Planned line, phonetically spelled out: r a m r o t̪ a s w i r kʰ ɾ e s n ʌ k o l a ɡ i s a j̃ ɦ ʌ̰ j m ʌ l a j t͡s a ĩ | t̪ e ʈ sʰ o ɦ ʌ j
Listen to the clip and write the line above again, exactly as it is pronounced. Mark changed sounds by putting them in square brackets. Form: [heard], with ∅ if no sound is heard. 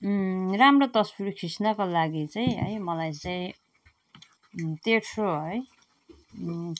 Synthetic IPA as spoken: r a m r o t̪ [ʌ] s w i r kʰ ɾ [i] s n ʌ k o l a ɡ i [t͡s] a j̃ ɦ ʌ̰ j m ʌ l a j t͡s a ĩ | t̪ e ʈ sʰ o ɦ ʌ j